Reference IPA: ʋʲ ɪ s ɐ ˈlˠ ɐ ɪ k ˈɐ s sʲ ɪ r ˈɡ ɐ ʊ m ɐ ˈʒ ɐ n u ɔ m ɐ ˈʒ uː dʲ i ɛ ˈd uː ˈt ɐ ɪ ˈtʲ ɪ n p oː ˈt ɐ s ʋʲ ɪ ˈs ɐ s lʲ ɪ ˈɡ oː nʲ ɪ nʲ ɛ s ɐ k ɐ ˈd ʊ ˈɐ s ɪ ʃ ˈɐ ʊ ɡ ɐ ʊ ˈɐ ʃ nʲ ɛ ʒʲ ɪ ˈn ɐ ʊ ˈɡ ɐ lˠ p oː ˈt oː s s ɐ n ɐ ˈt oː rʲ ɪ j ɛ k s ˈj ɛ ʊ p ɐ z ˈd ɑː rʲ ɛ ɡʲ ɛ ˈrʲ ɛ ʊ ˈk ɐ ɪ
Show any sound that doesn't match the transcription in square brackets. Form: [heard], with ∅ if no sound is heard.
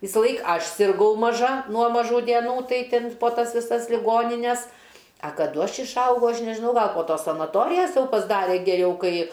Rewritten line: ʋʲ ɪ s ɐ ˈlˠ ɐ ɪ k ˈɐ [ʃ] sʲ ɪ r ˈɡ ɐ ʊ m ɐ ˈʒ ɐ n u ɔ m ɐ ˈʒ uː dʲ i ɛ [ˈn] uː ˈt ɐ ɪ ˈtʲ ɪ n p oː ˈt ɐ s ʋʲ ɪ ˈs ɐ s lʲ ɪ ˈɡ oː nʲ ɪ nʲ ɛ s ɐ k ɐ ˈd ʊ ˈɐ [ʃ] ɪ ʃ ˈɐ ʊ ɡ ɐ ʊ ˈɐ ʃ nʲ ɛ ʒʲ ɪ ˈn ɐ ʊ ˈɡ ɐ lˠ p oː ˈt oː s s ɐ n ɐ ˈt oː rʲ ɪ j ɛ [∅] s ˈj ɛ ʊ p ɐ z ˈd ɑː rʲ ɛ ɡʲ ɛ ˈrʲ ɛ ʊ ˈk ɐ ɪ

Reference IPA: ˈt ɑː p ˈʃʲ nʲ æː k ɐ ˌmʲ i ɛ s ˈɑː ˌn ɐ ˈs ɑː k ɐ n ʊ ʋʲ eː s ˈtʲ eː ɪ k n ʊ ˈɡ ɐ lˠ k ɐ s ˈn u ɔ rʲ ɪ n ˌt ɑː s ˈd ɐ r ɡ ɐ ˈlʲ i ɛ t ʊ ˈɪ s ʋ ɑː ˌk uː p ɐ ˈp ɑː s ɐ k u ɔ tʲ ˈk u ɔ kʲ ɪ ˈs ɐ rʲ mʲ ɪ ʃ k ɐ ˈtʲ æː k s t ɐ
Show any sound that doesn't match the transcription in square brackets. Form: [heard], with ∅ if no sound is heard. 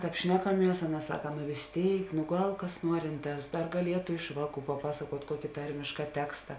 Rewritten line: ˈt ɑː p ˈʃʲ nʲ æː k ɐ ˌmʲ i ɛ s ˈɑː ˌn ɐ ˈs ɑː k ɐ n ʊ ʋʲ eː s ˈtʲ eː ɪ k n ʊ ˈɡ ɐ lˠ k ɐ s ˈn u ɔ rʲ ɪ n ˌt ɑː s ˈd ɐ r ɡ ɐ ˈlʲ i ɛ t ʊ ˈɪ [ʃ] ʋ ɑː ˌk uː p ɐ ˈp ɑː s ɐ k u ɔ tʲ ˈk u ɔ kʲ ɪ [ˈt] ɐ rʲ mʲ ɪ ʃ k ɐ ˈtʲ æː k s t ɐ

